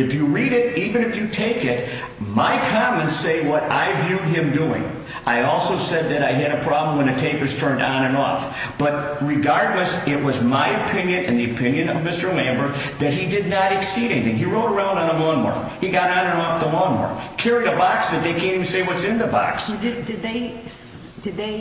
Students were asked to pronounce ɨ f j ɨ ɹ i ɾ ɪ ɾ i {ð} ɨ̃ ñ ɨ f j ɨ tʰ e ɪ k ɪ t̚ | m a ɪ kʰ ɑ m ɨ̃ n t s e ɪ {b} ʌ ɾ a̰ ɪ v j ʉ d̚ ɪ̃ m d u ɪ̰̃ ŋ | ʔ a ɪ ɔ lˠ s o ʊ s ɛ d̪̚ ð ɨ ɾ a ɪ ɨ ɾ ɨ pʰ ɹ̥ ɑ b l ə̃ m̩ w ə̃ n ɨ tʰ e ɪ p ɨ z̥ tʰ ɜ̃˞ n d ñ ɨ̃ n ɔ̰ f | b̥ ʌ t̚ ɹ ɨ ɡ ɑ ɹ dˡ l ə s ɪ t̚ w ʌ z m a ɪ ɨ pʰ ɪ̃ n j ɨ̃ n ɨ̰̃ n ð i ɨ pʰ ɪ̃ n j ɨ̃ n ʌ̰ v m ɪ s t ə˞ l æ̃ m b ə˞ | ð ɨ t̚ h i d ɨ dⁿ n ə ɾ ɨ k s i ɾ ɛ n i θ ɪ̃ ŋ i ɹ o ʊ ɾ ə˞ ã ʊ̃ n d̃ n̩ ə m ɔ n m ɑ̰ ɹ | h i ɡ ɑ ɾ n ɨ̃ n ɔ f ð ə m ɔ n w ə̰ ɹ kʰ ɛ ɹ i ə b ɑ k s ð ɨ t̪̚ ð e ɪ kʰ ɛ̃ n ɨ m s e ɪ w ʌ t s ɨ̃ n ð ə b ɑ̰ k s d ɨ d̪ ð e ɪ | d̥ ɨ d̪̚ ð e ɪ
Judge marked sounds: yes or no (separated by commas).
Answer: no, no